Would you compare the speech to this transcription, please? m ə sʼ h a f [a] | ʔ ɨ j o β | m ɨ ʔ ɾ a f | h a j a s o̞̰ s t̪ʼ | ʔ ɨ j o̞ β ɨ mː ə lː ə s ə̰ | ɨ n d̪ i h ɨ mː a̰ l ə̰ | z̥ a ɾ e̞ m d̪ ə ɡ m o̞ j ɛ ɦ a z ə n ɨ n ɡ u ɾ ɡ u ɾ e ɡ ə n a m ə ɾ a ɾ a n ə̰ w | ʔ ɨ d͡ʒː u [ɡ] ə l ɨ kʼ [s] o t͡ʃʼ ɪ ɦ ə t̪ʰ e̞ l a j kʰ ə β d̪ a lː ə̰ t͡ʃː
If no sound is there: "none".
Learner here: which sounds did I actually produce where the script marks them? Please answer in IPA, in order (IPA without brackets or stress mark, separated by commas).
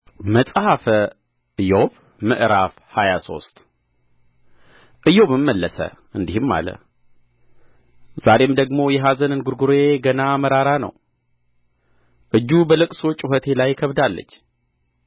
ə, b, s